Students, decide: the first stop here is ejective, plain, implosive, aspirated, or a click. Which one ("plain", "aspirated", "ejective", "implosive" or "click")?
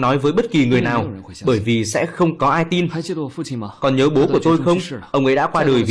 implosive